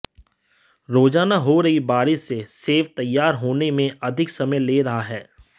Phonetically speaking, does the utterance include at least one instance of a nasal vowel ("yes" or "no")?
yes